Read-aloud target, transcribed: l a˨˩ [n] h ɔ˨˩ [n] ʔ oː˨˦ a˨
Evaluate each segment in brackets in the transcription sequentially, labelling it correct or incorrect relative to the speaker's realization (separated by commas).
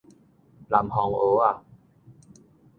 incorrect, incorrect